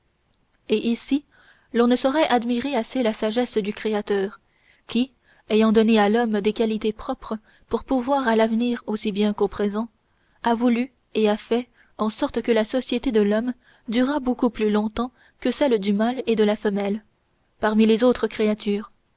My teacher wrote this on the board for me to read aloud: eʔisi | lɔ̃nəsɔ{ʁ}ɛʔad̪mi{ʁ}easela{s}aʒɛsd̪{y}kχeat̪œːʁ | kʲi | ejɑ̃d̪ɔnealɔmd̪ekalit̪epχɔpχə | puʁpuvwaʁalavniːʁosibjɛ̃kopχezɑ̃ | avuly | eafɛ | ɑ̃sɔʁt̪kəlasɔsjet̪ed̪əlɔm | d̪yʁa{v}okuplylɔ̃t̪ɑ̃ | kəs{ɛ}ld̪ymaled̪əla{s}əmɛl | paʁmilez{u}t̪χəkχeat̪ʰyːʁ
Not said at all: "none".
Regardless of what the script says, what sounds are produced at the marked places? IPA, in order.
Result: ʁ, ʁ, s, y, b, ɛ, f, o

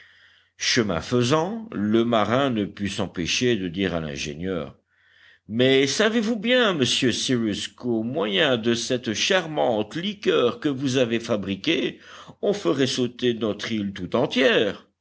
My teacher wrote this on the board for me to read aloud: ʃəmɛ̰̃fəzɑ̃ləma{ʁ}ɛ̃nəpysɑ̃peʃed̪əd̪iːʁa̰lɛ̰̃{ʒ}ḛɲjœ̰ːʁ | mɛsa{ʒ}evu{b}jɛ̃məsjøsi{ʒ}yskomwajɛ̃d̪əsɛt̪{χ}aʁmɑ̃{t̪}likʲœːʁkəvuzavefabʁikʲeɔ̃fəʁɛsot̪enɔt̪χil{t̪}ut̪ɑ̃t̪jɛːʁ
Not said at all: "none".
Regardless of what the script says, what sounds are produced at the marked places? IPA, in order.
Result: ʁ, ʒ, v, b, ʁ, ʃ, t̪, t̪

